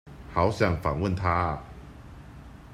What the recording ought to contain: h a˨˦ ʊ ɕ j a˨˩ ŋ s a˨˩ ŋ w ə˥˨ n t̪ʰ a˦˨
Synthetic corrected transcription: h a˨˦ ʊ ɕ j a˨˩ ŋ f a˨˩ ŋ w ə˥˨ n t̪ʰ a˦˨